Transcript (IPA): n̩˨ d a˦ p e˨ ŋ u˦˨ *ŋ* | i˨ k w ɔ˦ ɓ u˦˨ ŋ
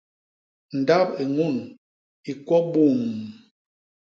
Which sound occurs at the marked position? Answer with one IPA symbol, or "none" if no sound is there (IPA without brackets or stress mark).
n